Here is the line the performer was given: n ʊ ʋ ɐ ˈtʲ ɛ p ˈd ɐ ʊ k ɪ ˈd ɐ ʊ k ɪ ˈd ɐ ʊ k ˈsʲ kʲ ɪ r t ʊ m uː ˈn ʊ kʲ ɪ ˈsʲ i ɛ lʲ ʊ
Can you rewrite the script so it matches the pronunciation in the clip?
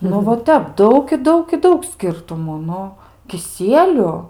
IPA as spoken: n ʊ ʋ ɐ ˈtʲ ɛ p ˈd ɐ ʊ k ɪ ˈd ɐ ʊ k ɪ ˈd ɐ ʊ k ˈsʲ kʲ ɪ r t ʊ m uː ˈn ʊ kʲ ɪ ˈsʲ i ɛ lʲ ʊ